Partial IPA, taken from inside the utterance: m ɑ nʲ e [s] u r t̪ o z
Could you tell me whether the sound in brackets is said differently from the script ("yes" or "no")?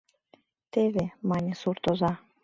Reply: no